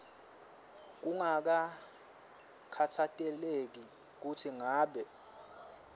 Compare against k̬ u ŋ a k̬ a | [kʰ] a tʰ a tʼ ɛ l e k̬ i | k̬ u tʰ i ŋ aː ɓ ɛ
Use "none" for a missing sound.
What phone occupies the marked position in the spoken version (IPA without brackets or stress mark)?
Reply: kʰ